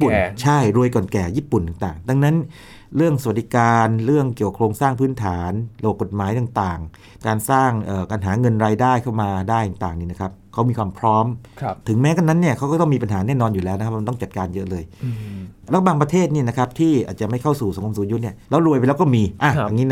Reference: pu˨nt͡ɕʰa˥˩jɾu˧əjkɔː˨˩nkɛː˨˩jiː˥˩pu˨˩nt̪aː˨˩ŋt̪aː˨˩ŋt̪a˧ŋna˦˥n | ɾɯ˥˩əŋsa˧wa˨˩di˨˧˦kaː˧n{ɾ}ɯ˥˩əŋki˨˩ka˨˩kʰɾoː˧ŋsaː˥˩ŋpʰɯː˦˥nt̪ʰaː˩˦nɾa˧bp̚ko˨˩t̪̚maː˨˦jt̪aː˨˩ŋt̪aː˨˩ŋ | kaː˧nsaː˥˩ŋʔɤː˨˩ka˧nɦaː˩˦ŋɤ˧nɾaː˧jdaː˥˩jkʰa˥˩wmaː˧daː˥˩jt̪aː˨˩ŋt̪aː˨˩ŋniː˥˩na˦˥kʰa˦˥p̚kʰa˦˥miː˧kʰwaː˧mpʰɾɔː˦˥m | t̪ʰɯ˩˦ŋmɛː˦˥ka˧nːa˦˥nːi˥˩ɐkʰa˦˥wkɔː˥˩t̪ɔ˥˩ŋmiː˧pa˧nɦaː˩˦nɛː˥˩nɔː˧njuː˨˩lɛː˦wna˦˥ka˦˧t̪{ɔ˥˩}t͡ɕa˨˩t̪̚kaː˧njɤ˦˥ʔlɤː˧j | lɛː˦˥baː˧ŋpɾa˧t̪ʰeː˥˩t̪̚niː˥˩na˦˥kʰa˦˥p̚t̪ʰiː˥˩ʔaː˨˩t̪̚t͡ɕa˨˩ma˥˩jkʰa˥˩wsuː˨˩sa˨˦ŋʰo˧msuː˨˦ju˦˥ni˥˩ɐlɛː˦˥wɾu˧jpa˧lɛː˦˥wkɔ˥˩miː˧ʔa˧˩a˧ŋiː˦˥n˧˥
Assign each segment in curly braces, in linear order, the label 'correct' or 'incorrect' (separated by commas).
correct, correct